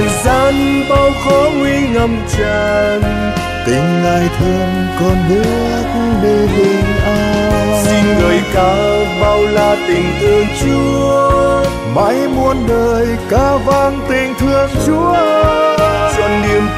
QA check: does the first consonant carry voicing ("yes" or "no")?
yes